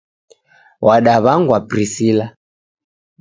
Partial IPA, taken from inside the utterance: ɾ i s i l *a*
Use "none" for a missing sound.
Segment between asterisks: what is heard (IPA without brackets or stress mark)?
a